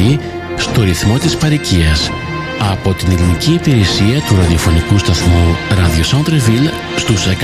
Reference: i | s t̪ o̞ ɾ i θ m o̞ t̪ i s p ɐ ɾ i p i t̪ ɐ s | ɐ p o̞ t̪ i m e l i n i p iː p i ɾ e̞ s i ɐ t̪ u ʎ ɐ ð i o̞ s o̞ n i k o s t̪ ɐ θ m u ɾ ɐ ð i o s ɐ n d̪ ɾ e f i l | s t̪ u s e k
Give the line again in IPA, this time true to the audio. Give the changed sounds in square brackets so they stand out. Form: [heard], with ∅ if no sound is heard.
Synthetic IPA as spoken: i | s t̪ o̞ ɾ i θ m o̞ t̪ i s p ɐ ɾ i [c] i [∅] ɐ s | ɐ p o̞ t̪ i [n] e l i n i [c] iː p i ɾ e̞ s i ɐ t̪ u [ɾ] ɐ ð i o̞ [f] o̞ n i k [u] s t̪ ɐ θ m u ɾ ɐ ð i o s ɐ n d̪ ɾ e [v] i l | s t̪ u s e k